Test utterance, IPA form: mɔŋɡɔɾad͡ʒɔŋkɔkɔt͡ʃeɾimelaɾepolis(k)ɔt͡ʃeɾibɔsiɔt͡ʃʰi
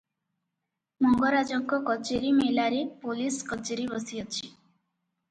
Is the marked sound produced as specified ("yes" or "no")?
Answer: yes